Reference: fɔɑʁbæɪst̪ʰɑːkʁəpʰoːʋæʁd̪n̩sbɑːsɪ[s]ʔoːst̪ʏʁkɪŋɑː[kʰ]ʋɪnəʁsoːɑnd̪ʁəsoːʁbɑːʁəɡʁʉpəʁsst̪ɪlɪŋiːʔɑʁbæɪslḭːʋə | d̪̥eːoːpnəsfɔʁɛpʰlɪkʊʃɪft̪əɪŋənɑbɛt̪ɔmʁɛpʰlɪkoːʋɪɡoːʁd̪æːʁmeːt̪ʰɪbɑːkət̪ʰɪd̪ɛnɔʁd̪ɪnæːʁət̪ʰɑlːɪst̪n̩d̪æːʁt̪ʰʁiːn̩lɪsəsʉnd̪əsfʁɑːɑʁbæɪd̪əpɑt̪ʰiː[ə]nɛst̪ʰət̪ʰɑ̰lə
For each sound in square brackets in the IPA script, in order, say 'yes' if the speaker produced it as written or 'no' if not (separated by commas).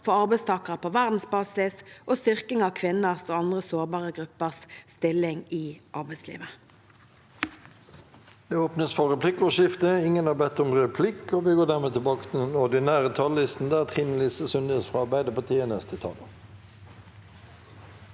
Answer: yes, yes, yes